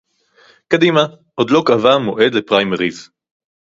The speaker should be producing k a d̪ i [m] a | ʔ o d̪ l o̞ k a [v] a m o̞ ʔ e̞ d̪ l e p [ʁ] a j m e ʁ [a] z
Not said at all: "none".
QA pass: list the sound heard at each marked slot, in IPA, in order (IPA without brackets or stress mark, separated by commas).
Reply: m, v, ʁ, i